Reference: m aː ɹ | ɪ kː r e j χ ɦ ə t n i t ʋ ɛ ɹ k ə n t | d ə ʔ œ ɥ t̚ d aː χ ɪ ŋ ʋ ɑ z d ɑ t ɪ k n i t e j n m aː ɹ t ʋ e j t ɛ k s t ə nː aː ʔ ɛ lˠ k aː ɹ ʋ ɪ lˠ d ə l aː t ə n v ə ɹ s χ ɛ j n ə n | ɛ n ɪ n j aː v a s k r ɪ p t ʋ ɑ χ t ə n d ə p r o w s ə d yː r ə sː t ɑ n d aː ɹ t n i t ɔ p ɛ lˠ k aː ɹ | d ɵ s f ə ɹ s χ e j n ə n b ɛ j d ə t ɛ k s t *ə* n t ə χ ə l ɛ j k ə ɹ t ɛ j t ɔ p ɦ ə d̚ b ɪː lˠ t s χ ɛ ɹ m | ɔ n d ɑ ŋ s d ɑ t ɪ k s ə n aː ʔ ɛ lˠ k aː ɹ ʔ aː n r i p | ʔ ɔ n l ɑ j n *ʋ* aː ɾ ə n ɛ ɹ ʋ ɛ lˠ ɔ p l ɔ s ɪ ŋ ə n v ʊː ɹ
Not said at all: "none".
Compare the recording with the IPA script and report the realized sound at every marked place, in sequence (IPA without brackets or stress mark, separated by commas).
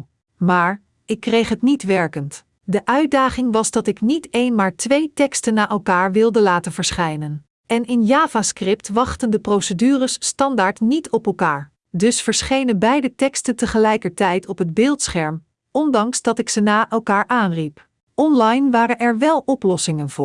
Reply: ə, ʋ